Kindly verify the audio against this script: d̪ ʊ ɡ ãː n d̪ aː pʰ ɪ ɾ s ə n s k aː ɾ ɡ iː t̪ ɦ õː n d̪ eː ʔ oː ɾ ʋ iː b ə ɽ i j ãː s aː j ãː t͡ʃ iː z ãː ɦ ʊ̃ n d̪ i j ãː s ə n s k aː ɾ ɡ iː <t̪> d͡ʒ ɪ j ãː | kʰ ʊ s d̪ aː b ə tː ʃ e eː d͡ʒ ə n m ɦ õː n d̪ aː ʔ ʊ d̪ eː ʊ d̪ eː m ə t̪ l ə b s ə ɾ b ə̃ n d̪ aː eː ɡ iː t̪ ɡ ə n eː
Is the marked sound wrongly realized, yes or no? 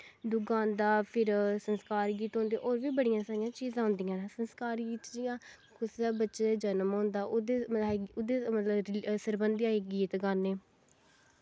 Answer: no